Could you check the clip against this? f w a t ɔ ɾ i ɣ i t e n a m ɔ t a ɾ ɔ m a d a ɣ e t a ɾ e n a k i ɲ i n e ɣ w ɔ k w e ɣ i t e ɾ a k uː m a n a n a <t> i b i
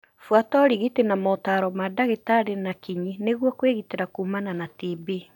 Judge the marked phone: correct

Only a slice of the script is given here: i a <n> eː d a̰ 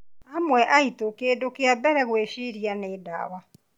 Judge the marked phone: correct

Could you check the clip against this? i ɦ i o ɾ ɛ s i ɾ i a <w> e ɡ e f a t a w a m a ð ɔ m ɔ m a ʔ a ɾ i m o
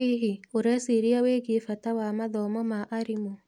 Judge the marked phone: correct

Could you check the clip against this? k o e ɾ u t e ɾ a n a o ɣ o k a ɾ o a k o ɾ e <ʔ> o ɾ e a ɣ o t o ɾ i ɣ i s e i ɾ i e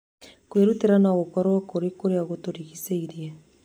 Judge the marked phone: incorrect: k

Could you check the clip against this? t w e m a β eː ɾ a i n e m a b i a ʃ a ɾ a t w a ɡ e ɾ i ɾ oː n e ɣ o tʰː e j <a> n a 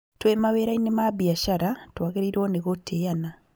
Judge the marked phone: correct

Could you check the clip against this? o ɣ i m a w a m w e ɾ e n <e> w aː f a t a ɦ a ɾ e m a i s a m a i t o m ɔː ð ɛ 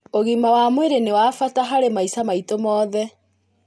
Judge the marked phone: correct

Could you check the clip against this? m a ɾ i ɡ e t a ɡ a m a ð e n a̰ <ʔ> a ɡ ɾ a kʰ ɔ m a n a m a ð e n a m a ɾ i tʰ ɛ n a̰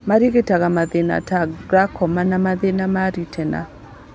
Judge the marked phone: incorrect: t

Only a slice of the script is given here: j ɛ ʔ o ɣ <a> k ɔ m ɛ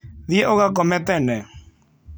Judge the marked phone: correct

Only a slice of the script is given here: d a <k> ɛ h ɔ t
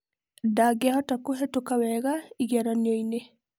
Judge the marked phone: incorrect: ɡ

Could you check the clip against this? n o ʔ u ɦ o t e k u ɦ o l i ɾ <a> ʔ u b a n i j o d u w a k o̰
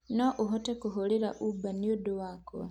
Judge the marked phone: correct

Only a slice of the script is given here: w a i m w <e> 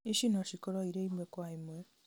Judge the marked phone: correct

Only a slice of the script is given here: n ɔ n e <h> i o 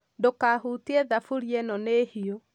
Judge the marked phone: correct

